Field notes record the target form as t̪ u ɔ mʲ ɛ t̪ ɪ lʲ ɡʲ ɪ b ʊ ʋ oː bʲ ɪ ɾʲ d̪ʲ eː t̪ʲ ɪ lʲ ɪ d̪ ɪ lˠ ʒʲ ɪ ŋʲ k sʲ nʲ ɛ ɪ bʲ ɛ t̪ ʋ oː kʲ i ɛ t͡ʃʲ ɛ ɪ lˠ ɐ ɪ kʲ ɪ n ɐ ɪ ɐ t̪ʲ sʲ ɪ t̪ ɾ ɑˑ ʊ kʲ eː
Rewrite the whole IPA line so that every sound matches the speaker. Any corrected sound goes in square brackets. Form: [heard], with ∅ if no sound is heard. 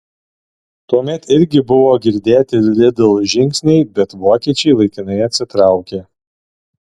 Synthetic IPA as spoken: t̪ u ɔ mʲ ɛ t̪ ɪ [ɾʲ] ɡʲ ɪ b ʊ ʋ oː [ɡʲ] ɪ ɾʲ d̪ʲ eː t̪ʲ ɪ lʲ ɪ d̪ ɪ lˠ ʒʲ ɪ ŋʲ k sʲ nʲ ɛ ɪ bʲ ɛ t̪ ʋ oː kʲ i ɛ t͡ʃʲ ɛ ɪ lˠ ɐ ɪ kʲ ɪ n ɐ ɪ ɐ t̪ʲ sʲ ɪ t̪ ɾ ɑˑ ʊ kʲ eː